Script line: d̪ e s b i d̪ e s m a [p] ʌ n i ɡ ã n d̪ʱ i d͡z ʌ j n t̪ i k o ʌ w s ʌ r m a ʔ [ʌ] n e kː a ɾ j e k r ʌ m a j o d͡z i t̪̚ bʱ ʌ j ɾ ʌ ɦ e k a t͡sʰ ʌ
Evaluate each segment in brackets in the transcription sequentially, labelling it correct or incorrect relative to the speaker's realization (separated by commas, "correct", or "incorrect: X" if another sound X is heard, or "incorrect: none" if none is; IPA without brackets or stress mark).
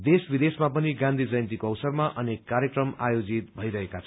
correct, correct